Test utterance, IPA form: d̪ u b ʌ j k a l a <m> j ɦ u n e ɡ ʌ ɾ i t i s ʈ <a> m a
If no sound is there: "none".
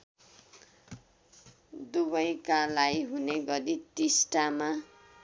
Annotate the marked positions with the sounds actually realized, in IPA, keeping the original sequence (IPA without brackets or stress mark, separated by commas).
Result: none, a